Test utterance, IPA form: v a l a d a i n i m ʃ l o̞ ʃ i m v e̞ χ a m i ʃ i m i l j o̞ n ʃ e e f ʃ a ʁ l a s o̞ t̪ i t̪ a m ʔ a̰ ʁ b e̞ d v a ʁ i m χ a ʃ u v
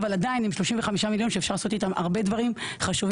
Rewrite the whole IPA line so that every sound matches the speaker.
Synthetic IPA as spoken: v a l a d a i n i m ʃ l o̞ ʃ i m v e̞ χ a m i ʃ a m i l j o̞ n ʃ e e f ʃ a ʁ l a s o̞ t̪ i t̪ a m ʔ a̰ ʁ b e̞ d v a ʁ i m χ a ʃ u v